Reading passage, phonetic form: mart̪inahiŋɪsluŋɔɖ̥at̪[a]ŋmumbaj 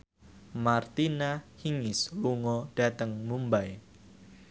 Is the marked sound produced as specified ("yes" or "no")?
no